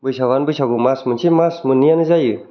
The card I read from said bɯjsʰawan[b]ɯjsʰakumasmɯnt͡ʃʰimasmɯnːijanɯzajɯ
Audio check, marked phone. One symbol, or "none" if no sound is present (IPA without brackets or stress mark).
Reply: b